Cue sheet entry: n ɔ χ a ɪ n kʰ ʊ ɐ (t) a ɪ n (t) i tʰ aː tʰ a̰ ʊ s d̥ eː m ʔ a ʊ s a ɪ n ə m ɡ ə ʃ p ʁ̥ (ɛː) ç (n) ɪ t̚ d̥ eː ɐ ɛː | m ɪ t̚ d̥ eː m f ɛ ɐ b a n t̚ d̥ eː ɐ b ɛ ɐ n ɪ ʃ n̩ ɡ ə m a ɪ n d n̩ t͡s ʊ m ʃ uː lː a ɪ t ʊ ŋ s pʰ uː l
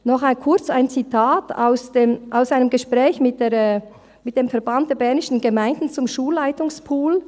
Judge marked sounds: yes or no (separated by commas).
no, no, yes, no